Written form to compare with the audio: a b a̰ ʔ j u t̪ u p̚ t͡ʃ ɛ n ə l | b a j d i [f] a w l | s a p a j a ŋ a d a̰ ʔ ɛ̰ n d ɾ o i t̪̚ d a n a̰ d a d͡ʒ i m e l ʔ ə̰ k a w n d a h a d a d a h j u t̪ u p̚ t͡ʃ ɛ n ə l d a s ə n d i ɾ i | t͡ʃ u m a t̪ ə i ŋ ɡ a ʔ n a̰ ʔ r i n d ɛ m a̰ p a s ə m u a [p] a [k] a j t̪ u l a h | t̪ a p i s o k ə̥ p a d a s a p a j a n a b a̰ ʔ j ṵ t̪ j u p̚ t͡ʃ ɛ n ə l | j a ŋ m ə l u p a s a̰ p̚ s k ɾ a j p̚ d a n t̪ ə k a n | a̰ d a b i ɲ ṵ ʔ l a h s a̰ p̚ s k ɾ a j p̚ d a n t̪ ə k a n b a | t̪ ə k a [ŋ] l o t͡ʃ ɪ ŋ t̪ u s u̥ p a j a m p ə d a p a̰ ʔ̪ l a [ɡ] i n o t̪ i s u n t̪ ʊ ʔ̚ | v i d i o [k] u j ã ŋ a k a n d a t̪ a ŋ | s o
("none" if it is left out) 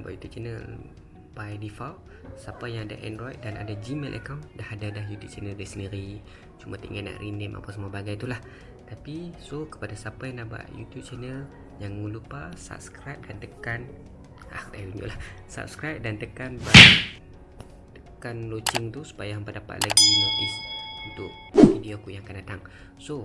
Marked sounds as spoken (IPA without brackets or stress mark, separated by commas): f, b, ɡ, n, ɡ, k